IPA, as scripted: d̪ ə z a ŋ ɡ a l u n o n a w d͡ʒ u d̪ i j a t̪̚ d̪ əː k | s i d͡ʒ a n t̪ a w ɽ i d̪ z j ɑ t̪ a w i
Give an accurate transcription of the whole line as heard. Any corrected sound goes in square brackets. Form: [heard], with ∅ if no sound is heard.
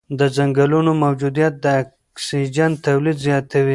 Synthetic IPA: d̪ ə z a ŋ ɡ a l u n o [m] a w d͡ʒ u d̪ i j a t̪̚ d̪ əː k | s i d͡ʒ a n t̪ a w [l] i d̪ z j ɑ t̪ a w i